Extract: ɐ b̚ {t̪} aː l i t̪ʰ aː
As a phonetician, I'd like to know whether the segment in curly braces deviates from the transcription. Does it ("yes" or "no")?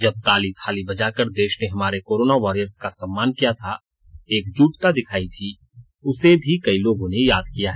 no